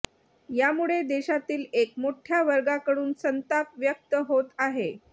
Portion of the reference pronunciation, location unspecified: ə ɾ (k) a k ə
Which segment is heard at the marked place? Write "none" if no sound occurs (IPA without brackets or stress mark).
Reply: ɡ